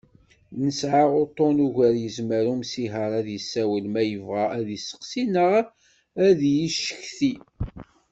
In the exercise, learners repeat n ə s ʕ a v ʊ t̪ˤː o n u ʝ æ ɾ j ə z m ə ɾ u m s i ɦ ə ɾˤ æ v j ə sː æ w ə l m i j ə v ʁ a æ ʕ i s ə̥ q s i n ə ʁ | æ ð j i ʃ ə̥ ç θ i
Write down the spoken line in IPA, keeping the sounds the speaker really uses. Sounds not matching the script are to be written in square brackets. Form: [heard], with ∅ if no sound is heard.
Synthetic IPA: n ə s ʕ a [ʁ] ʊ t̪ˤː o n u ʝ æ ɾ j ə z m ə ɾ u m s i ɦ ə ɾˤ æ [ð] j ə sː æ w ə l m [æ] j ə v ʁ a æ [ð] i s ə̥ q s i n ə ʁ | æ ð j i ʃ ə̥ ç θ i